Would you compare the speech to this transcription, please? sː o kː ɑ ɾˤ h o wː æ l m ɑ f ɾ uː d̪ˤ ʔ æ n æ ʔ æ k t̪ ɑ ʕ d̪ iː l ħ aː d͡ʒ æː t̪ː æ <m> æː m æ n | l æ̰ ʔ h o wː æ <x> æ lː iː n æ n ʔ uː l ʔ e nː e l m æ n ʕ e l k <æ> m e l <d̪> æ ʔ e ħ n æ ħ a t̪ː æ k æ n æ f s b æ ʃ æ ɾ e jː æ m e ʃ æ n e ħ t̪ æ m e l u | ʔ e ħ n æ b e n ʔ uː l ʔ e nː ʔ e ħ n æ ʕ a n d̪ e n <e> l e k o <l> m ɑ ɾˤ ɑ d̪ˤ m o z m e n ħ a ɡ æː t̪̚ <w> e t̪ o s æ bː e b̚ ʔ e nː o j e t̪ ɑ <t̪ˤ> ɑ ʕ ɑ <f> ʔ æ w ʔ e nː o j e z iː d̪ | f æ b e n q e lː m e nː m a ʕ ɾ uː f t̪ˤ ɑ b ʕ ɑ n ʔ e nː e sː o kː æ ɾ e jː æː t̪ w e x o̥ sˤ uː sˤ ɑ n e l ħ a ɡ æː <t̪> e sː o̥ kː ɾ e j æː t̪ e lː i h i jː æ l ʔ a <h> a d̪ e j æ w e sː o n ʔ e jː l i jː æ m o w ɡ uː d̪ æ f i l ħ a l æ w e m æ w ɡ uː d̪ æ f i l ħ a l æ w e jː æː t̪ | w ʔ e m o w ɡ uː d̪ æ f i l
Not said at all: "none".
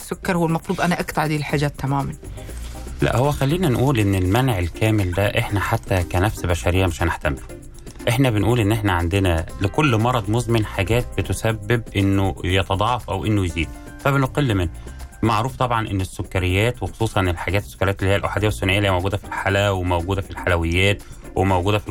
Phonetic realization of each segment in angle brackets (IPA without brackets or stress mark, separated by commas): m, x, æː, d̪, æ, lː, b, d̪ˤ, f, t̪, ħ